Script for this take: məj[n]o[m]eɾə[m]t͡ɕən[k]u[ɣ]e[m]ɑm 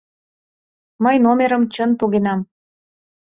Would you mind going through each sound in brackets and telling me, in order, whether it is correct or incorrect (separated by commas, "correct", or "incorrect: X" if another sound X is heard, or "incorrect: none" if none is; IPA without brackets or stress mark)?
correct, correct, correct, incorrect: p, correct, incorrect: n